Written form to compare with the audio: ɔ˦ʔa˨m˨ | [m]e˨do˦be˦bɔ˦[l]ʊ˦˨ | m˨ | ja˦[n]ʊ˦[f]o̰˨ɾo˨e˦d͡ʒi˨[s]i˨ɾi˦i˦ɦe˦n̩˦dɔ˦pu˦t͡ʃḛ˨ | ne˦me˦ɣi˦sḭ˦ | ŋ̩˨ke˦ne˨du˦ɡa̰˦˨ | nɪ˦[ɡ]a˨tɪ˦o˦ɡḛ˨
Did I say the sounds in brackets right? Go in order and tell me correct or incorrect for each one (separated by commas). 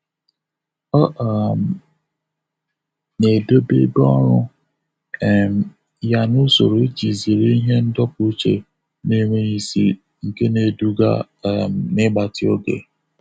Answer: incorrect, incorrect, correct, incorrect, incorrect, incorrect